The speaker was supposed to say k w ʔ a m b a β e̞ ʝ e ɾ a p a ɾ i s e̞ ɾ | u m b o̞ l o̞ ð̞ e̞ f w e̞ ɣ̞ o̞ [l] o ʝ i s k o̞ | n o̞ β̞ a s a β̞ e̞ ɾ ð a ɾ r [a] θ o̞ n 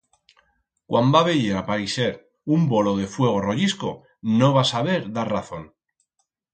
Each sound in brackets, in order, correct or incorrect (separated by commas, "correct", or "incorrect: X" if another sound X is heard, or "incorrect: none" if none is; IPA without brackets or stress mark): incorrect: r, correct